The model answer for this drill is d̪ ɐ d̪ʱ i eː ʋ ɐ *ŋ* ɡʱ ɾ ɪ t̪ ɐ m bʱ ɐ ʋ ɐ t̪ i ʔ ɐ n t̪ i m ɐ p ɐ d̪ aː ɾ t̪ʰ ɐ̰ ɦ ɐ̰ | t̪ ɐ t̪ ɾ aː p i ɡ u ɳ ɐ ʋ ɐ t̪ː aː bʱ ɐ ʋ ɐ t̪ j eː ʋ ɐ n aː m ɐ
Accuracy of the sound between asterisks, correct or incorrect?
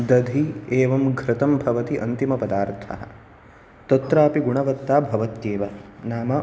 incorrect